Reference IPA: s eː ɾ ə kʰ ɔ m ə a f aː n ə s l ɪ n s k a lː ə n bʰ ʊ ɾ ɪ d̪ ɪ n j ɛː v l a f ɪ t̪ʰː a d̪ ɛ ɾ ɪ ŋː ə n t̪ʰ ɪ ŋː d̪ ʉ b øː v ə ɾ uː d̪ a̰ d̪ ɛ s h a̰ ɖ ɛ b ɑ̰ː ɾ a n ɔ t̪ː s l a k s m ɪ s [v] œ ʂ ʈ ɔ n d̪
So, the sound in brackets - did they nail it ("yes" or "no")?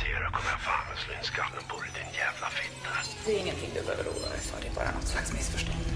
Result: no